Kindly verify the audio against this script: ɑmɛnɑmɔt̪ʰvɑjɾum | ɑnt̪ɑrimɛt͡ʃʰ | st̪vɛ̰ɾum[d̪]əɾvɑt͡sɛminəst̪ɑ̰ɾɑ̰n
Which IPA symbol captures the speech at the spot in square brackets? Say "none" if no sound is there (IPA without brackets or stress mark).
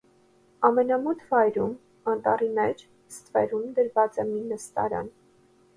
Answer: d̪